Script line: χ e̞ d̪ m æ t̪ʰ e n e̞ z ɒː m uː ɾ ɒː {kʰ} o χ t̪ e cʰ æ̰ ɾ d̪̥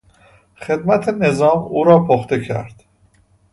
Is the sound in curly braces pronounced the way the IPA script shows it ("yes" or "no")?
no